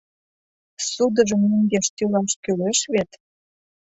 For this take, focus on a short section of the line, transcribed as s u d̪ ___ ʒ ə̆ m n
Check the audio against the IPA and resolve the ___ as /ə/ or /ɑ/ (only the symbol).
ə